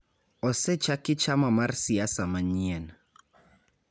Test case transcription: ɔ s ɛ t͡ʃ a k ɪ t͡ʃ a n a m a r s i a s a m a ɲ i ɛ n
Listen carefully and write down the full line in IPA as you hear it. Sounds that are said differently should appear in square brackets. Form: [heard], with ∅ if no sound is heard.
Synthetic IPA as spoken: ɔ s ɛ t͡ʃ a k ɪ t͡ʃ a [m] a m a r s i a s a m a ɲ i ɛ n